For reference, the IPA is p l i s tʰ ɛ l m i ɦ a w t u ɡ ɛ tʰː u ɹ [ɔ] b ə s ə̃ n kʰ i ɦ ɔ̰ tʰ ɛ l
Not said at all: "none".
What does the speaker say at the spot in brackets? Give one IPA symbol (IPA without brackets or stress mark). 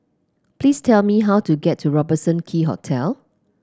ɔ